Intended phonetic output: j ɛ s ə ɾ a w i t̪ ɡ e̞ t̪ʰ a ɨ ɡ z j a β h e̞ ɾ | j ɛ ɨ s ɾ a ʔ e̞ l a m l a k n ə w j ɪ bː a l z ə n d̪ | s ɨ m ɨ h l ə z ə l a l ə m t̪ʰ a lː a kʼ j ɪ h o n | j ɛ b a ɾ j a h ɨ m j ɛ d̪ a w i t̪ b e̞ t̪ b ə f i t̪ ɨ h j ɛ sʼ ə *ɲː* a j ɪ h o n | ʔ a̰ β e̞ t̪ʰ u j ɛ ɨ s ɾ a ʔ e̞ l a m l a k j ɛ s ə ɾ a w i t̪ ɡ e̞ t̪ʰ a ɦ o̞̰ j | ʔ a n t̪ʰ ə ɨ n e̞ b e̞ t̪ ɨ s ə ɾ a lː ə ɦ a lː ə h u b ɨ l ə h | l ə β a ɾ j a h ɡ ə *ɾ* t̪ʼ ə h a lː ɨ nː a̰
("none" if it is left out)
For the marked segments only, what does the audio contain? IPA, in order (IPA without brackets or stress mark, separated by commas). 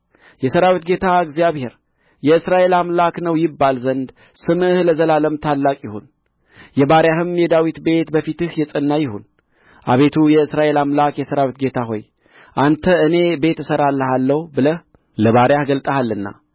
nː, l